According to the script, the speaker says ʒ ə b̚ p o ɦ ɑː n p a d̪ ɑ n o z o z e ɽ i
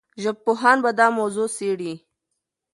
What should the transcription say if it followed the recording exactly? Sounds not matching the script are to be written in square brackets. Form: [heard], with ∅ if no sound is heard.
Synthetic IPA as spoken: ʒ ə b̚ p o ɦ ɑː n [b] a d̪ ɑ [m] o z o [s] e ɽ i